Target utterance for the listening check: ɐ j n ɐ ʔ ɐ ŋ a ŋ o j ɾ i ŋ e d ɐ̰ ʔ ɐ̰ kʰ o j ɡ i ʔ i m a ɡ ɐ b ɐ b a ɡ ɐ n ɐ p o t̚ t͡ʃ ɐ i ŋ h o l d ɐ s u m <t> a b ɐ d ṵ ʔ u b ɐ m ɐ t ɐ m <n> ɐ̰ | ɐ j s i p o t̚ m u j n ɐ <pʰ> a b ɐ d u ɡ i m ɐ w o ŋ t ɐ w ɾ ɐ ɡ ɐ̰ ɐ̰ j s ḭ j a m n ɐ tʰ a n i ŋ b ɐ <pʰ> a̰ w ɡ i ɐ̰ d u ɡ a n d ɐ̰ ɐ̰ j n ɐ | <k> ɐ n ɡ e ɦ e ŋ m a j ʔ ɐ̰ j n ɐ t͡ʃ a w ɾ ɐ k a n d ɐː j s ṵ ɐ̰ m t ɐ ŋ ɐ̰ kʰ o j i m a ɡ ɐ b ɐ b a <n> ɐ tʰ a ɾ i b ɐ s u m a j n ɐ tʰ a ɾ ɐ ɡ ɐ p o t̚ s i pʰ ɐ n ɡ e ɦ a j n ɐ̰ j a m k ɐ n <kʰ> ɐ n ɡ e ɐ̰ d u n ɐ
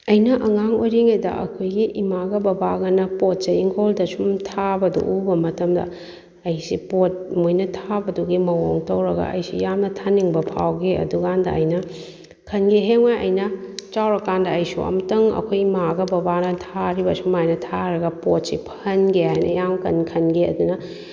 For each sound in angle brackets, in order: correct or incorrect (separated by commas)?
incorrect, incorrect, incorrect, correct, incorrect, correct, correct